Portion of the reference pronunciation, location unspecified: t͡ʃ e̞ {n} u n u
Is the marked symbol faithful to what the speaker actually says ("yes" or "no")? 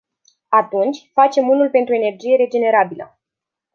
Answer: no